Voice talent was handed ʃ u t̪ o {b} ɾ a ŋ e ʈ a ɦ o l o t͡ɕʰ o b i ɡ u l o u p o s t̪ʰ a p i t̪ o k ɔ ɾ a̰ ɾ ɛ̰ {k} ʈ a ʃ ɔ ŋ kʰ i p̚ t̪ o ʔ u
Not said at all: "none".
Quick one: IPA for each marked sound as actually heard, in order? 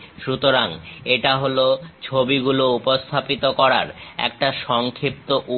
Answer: none, k

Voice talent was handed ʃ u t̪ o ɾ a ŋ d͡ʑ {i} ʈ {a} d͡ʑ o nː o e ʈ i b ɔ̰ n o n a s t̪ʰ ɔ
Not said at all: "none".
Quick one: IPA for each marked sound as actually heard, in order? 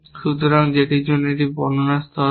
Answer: e, i

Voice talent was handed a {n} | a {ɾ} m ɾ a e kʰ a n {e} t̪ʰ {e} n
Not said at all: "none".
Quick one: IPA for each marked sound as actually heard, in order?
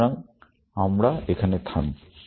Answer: ŋ, none, e, a

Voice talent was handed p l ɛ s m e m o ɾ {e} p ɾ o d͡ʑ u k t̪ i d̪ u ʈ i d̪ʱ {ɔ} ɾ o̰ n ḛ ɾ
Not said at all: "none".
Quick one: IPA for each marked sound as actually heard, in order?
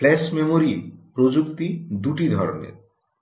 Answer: i, ɔ

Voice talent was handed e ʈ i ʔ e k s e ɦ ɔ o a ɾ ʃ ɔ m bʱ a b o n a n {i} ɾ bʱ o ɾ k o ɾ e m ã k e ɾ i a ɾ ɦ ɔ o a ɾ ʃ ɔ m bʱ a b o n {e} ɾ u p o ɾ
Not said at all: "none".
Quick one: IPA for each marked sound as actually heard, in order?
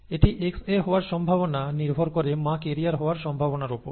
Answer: i, a

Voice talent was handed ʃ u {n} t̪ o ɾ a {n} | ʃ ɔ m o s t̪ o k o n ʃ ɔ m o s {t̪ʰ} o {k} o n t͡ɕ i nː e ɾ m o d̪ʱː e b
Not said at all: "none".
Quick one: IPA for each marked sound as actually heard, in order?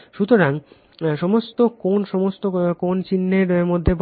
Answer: none, ŋ, t̪, k

